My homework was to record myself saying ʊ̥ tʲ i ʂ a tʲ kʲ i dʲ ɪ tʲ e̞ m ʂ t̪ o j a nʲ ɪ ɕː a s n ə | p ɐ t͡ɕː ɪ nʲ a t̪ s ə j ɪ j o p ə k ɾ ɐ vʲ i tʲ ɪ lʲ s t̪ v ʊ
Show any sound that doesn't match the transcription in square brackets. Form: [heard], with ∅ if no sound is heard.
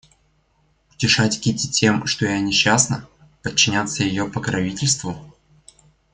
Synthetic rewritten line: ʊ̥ tʲ [ɪ] ʂ a tʲ kʲ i [tʲ] ɪ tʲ e̞ m ʂ t̪ o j a nʲ ɪ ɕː a s n ə | p [ə] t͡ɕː ɪ nʲ a t̪ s ə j ɪ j o p ə k ɾ ɐ vʲ i tʲ ɪ lʲ s t̪ v ʊ